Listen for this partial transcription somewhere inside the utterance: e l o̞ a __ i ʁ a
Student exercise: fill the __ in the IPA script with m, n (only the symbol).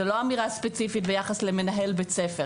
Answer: m